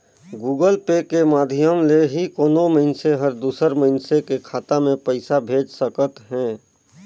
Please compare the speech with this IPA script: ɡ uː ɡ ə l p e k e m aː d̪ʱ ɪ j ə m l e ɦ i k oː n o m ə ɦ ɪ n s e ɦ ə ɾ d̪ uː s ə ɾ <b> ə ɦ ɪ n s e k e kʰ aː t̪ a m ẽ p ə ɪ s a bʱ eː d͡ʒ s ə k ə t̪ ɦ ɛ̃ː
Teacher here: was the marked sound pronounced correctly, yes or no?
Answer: no